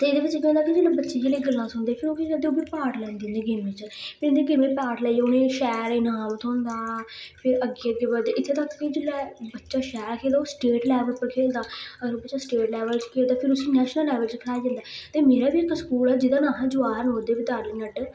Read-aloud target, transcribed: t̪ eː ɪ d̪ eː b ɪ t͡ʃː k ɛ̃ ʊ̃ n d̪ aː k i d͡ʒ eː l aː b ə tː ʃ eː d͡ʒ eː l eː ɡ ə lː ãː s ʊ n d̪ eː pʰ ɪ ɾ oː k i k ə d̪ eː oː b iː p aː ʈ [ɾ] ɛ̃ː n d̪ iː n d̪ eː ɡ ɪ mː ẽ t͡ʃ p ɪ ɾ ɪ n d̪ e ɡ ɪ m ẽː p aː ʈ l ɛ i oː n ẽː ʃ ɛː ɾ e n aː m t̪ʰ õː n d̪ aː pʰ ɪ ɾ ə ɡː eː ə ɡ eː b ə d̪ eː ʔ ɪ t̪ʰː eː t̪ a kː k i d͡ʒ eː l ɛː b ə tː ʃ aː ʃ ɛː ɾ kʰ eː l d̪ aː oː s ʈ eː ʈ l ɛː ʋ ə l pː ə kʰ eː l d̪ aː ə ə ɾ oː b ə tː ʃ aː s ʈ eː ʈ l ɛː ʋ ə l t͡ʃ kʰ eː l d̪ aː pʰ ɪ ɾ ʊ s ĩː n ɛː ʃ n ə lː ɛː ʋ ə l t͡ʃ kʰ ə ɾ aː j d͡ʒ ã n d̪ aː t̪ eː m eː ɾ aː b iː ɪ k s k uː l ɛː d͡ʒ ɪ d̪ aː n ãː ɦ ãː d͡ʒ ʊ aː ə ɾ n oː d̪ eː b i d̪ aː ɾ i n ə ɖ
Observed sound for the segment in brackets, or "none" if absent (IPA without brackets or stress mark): l